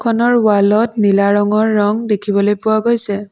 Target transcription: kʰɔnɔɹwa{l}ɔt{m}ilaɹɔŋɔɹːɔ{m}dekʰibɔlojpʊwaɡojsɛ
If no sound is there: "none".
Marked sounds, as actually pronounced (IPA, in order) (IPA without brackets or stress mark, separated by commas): l, n, ŋ